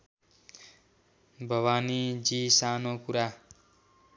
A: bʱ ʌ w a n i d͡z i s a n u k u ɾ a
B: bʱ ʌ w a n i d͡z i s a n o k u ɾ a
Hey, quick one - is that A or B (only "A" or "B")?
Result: B